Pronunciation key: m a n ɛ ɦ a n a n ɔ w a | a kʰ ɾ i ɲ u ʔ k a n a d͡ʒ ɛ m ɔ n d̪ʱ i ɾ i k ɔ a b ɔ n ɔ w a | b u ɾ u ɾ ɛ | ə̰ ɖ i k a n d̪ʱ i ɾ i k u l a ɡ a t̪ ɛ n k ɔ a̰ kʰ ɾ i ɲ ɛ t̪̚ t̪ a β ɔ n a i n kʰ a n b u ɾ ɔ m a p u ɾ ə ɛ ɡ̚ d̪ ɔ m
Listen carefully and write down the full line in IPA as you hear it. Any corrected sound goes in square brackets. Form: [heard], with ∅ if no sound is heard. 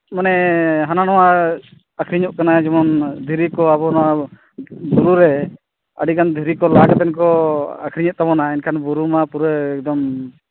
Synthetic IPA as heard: m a n ɛ ɦ a n a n ɔ w a | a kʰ ɾ i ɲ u ʔ k a n a d͡ʒ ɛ m ɔ n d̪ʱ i ɾ i k ɔ a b ɔ n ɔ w a | b u ɾ u ɾ ɛ | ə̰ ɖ i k a n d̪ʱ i ɾ i k [ɔ] l a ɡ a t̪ ɛ n k ɔ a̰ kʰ ɾ i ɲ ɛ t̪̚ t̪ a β ɔ n a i n kʰ a n b u ɾ [u] m a p u ɾ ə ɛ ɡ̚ d̪ ɔ m